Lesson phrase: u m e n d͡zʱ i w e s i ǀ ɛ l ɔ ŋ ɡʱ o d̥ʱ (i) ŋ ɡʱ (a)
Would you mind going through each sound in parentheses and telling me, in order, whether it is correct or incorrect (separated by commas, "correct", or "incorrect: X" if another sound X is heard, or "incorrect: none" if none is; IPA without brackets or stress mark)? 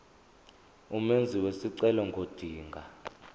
incorrect: iː, correct